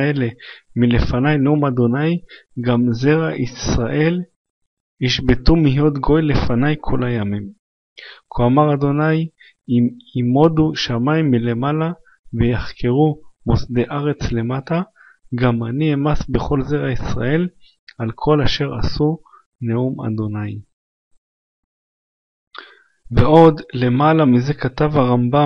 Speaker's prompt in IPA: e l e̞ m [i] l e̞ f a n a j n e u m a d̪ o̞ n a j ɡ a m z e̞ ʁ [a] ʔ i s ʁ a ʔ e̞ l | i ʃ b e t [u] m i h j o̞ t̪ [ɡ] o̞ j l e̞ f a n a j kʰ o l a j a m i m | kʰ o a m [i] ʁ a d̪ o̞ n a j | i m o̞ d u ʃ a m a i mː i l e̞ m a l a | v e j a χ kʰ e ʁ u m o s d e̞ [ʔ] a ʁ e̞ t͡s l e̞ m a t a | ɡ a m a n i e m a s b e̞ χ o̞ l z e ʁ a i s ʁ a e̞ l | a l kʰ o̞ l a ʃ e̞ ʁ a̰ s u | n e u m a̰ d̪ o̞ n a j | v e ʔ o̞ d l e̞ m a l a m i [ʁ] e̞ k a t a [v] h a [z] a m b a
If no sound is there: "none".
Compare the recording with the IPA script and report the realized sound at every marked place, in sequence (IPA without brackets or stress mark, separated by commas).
i, a, u, ɡ, a, ʔ, z, v, ʁ